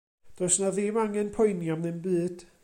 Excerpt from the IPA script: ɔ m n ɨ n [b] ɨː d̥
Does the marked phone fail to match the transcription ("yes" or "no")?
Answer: no